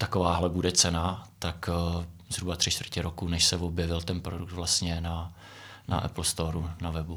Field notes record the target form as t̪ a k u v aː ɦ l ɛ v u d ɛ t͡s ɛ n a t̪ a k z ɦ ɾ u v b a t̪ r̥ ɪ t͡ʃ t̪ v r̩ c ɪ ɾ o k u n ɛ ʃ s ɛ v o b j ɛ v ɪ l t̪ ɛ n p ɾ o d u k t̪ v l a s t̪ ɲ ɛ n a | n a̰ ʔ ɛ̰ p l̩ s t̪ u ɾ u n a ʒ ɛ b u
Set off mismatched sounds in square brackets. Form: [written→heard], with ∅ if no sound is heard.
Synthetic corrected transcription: t̪ a k [u→o] v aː ɦ l ɛ [v→b] u d ɛ t͡s ɛ n a t̪ a k z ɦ ɾ u [v→∅] b a t̪ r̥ ɪ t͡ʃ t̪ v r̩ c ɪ ɾ o k u n ɛ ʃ s ɛ v o b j ɛ v ɪ l t̪ ɛ n p ɾ o d u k t̪ v l a s t̪ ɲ ɛ n a | n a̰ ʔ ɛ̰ p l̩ s t̪ [u→o] ɾ u n a [ʒ→v] ɛ b u